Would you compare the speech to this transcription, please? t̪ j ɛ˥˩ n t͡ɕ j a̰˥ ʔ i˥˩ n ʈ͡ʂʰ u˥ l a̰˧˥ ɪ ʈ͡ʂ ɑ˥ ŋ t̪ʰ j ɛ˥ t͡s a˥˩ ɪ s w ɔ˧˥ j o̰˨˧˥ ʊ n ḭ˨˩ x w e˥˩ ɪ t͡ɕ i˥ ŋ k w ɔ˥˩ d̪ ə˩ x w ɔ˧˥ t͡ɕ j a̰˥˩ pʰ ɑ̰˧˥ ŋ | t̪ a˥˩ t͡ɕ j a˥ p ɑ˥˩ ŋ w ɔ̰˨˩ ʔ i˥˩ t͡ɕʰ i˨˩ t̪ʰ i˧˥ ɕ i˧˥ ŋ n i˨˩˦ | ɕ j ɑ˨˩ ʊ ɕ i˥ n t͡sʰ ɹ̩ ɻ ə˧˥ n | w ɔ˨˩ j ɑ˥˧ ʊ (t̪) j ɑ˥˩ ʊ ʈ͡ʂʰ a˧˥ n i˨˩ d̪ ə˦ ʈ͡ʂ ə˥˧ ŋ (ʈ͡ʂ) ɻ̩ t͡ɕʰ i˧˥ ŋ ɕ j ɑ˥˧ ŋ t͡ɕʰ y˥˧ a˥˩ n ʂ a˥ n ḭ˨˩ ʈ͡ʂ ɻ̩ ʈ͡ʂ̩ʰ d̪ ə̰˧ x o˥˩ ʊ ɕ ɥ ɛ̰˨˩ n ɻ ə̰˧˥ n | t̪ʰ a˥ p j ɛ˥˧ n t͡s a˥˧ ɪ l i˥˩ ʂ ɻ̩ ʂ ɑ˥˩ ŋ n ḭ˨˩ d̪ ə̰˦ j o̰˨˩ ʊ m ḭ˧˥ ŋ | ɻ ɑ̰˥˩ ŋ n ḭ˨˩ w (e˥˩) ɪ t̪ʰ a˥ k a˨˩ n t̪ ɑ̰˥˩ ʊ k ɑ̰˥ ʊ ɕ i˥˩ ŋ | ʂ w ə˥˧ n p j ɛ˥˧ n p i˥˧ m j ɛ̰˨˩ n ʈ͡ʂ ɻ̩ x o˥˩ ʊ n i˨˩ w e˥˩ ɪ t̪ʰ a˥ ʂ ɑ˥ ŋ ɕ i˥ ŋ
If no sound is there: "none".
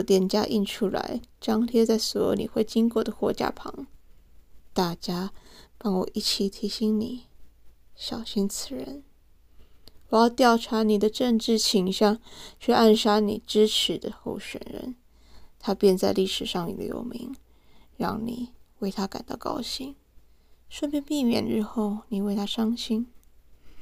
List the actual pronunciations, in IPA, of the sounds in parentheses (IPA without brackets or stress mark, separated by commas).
t̪, ʈ͡ʂ, e˥˩